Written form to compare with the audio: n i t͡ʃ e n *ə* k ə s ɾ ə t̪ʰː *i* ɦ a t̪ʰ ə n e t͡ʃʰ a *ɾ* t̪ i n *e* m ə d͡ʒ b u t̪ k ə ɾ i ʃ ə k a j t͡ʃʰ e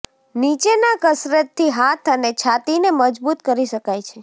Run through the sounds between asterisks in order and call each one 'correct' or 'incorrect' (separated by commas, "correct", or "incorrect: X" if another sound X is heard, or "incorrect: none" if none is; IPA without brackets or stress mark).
incorrect: a, correct, incorrect: none, correct